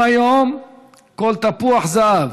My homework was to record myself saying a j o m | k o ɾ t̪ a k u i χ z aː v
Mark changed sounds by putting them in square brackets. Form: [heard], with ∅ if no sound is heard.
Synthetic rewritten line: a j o m | k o [l] t̪ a [p] u [a] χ z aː v